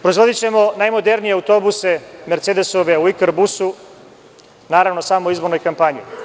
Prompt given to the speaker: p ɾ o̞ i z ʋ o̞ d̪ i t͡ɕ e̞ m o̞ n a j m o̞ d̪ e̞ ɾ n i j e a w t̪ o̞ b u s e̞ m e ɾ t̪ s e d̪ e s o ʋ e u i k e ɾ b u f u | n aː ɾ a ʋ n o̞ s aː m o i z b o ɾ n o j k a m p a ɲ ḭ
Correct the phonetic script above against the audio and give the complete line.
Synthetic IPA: p ɾ o̞ i z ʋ o̞ d̪ i t͡ɕ e̞ m o̞ n a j m o̞ d̪ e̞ ɾ n i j e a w t̪ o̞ b u s e̞ m e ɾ t̪ s e d̪ e s o ʋ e u i k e ɾ b u s u | n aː ɾ a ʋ n o̞ s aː m o i z b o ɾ n o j k a m p a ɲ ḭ

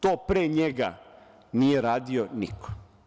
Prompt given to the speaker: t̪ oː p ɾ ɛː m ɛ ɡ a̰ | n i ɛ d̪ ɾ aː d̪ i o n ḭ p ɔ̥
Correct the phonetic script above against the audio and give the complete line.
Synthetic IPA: t̪ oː p ɾ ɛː ɲ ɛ ɡ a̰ | n i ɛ ɾ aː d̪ i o n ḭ k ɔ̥

